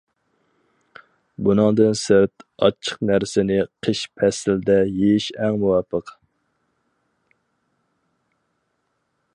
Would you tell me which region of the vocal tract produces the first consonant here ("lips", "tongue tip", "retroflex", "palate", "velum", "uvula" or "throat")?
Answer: lips